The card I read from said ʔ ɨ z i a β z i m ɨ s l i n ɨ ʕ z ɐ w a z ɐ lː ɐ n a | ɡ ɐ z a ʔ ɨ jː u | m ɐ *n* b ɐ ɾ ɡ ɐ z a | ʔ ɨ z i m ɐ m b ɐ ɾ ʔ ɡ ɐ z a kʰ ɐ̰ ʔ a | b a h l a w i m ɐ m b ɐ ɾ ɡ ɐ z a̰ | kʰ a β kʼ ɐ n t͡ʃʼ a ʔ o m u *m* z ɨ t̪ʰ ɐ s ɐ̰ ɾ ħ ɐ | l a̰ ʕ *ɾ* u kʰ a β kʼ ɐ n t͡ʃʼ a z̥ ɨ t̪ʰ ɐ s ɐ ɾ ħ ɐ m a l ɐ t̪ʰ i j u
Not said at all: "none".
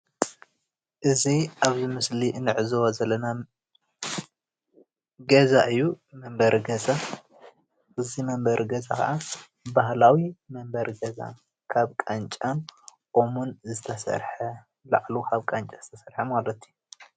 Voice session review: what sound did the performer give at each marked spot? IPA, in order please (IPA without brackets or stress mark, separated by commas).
m, n, l